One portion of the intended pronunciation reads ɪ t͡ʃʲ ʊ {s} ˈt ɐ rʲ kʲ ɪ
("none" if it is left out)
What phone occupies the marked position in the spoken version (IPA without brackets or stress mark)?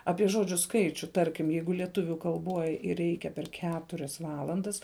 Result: none